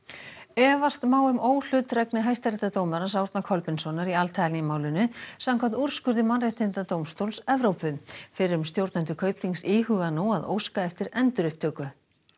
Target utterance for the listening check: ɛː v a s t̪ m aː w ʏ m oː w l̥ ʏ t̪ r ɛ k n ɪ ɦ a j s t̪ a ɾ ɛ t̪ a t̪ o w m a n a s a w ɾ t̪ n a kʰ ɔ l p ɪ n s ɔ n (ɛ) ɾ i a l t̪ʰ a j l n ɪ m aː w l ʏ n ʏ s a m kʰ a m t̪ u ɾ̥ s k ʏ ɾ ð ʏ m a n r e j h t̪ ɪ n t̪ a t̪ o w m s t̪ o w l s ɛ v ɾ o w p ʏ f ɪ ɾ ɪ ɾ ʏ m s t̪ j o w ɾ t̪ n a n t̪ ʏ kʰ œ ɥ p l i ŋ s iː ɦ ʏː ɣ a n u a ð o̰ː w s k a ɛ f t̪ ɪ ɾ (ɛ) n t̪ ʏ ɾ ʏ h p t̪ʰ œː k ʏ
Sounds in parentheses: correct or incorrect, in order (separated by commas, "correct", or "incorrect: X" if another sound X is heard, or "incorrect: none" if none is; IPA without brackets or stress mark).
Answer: incorrect: a, correct